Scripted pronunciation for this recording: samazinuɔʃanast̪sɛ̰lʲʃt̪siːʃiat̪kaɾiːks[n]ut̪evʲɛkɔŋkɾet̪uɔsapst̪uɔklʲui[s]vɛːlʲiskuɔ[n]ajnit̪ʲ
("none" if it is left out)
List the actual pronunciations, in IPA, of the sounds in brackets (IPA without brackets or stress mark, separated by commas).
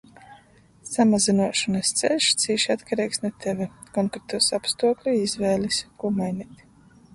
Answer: n, z, m